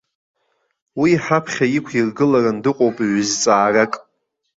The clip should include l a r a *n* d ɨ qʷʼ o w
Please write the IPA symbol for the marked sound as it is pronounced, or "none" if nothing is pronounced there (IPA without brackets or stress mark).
n